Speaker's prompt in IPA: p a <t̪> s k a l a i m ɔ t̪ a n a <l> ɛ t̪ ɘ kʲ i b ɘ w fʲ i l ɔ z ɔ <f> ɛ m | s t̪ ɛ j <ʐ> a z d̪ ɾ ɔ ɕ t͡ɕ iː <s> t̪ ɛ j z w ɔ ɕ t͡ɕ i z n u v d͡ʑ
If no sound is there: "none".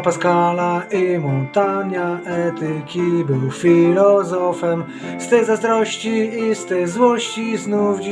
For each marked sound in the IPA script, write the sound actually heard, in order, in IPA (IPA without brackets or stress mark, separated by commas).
none, none, f, z, s